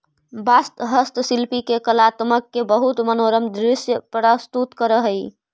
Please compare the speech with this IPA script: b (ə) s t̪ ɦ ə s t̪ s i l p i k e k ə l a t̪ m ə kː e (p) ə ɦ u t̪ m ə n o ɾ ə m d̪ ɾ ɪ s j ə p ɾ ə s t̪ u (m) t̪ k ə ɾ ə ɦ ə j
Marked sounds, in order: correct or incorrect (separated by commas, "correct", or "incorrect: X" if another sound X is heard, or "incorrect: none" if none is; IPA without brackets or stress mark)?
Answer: incorrect: a, incorrect: b, incorrect: none